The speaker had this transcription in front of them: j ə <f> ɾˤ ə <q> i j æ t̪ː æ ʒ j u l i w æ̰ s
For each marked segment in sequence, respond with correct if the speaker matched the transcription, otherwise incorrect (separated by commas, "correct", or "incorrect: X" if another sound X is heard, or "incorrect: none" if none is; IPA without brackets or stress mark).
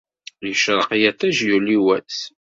incorrect: ʃ, correct